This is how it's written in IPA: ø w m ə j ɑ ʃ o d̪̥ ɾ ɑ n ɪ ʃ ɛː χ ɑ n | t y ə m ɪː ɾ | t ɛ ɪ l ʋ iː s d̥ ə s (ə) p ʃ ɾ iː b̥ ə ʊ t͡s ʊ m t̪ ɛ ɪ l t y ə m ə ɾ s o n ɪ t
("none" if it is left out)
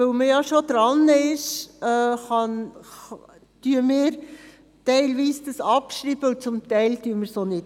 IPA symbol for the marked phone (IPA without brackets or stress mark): ɑ